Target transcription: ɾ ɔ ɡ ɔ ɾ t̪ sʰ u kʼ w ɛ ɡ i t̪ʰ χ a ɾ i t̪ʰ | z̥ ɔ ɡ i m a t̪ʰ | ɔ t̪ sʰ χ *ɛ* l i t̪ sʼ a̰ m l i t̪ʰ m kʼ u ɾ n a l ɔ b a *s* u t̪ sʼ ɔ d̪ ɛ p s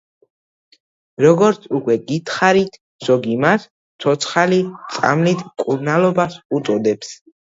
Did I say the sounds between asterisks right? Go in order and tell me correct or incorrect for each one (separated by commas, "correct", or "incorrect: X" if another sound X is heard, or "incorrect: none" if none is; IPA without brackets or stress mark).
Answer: incorrect: a, correct